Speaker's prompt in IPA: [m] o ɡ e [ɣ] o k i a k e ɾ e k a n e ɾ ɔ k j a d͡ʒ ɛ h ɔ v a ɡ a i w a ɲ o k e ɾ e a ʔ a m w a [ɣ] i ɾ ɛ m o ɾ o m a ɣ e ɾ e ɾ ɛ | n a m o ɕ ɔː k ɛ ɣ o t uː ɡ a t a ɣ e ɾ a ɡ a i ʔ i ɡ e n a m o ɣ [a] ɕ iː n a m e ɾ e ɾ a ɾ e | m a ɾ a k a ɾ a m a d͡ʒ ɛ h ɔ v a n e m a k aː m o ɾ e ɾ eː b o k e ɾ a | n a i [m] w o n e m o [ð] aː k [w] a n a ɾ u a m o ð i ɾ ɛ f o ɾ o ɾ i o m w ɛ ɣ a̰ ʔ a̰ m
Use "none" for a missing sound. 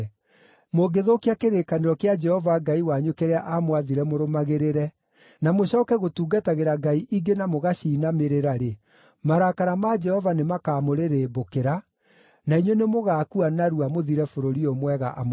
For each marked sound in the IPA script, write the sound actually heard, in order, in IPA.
m, ð, ð, a, ɲ, ɣ, u

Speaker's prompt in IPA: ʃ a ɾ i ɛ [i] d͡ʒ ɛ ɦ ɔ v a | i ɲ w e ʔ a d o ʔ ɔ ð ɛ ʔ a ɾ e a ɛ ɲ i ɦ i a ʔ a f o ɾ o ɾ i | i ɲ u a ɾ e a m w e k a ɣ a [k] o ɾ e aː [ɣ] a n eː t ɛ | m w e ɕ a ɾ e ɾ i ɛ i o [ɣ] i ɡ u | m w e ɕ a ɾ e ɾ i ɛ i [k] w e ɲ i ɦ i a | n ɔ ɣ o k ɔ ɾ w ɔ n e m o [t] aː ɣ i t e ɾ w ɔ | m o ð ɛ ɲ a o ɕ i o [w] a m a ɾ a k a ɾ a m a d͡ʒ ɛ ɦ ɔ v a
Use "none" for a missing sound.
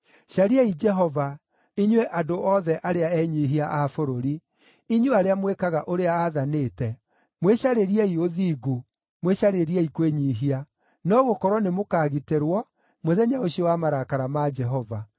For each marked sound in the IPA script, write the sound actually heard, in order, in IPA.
i, ʔ, ð, ð, k, k, w

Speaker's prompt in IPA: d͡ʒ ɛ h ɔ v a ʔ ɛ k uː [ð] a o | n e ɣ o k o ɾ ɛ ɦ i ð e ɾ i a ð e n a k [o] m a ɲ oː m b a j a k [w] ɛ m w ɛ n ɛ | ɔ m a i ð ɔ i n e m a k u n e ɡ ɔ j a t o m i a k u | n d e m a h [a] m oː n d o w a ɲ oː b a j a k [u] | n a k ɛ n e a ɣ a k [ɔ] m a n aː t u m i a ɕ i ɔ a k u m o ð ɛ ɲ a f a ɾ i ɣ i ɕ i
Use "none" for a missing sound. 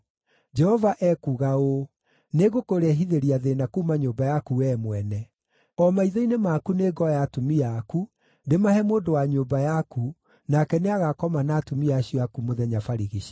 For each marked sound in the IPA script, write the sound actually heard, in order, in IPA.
ɣ, u, u, ɛ, u, ɔ

